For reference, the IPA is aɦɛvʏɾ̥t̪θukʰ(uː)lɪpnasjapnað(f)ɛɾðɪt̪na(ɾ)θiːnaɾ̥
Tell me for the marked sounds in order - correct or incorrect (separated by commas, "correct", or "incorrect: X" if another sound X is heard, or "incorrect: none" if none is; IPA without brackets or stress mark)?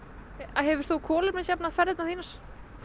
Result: incorrect: ɔː, correct, incorrect: none